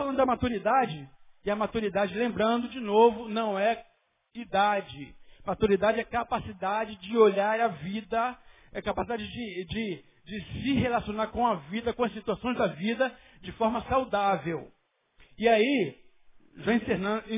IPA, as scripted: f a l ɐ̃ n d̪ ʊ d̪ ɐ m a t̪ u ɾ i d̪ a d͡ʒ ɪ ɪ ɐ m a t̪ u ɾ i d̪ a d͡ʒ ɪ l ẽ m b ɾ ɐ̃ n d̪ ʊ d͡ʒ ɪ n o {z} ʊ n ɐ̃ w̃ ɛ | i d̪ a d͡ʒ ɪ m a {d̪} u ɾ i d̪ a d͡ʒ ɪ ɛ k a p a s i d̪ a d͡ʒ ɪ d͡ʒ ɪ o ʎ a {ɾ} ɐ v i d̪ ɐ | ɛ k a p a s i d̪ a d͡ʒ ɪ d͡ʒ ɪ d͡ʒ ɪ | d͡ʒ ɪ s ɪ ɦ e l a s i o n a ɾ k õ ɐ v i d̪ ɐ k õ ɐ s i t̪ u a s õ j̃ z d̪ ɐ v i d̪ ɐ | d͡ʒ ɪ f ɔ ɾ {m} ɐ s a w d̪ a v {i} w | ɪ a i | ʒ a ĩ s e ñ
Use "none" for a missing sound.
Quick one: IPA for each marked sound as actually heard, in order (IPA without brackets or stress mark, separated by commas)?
v, t̪, ɾ, m, e